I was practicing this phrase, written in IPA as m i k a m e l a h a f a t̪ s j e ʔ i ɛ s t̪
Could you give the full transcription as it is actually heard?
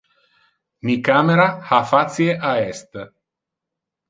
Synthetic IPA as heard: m i k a m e ɾ a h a f a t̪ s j e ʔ a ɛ s t̪